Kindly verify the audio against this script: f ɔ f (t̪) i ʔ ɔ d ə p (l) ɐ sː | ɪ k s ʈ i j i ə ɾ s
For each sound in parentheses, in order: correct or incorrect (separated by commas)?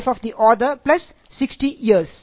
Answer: incorrect, correct